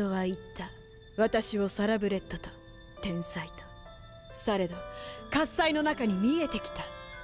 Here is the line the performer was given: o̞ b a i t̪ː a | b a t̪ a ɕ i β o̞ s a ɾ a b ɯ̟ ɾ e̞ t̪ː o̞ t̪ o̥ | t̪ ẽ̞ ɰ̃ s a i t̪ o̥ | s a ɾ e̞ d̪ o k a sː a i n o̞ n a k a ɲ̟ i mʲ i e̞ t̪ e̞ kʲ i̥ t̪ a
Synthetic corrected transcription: o̞ β a i t̪ː a | β a t̪ a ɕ i β o̞ s a ɾ a b ɯ̟ ɾ e̞ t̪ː o̞ t̪ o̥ | t̪ ẽ̞ ɰ̃ s a i t̪ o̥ | s a ɾ e̞ d̪ o k a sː a i n o̞ n a k a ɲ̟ i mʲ i e̞ t̪ e̞ kʲ i̥ t̪ a